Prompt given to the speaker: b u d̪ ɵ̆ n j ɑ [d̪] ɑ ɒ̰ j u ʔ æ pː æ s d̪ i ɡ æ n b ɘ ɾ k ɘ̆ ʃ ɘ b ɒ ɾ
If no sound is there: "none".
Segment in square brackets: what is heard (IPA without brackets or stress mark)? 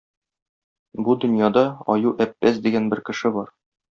d̪